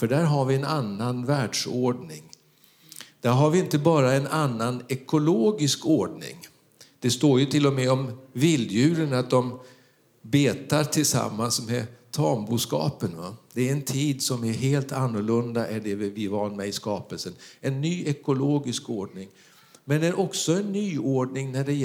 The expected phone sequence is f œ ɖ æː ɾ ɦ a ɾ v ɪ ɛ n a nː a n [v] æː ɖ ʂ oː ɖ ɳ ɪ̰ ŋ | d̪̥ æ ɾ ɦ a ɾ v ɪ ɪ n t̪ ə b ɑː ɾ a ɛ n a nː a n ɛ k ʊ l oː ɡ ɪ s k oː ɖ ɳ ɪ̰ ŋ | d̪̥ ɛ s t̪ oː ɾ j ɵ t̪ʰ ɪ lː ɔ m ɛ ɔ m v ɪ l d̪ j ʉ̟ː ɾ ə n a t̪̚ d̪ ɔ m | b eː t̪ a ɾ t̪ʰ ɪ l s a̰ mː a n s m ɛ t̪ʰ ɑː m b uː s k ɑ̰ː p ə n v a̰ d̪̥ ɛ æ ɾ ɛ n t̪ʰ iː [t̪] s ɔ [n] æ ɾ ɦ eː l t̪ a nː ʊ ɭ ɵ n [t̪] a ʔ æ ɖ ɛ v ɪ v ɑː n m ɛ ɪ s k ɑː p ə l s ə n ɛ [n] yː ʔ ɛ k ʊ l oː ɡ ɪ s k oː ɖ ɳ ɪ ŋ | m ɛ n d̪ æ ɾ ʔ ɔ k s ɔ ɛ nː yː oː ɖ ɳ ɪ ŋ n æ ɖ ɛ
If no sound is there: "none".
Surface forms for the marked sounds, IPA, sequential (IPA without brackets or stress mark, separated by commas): v, d̪, m, d̪, nː